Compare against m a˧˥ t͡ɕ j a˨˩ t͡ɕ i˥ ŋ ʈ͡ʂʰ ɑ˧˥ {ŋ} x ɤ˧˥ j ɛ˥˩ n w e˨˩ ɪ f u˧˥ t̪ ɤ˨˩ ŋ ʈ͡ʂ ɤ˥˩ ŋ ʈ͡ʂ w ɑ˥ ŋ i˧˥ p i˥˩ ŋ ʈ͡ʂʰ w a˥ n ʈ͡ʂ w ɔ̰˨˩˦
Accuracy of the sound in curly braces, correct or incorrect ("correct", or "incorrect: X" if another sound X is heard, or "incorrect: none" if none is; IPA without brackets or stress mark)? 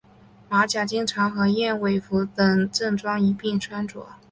correct